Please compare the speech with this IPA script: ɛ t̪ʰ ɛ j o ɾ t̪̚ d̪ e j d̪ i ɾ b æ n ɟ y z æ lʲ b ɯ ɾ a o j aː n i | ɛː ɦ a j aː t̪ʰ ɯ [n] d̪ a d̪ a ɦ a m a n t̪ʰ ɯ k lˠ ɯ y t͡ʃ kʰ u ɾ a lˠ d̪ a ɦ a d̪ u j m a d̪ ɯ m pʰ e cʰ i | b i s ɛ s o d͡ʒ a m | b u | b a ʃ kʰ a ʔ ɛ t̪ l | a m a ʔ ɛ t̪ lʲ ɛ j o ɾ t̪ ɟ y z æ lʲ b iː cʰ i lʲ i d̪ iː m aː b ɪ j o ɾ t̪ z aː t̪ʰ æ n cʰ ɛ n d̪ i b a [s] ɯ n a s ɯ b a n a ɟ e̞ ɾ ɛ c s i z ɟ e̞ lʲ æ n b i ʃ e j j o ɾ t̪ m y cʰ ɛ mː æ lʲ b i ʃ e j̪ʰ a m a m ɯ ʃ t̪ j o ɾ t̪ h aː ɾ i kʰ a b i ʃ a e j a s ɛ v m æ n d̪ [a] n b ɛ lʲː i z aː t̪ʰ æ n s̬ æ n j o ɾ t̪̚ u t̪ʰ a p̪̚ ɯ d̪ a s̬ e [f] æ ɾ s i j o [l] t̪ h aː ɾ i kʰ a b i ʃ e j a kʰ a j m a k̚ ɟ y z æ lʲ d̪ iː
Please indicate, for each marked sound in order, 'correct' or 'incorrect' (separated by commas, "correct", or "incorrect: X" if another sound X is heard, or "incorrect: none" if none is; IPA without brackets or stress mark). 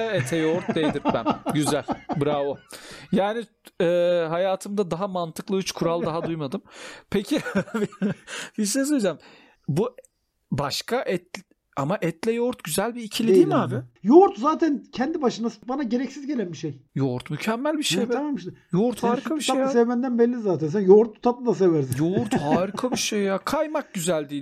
incorrect: m, incorrect: ʃ, incorrect: æ, incorrect: v, incorrect: ɾ